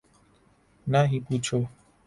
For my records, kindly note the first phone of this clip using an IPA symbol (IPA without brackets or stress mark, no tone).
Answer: n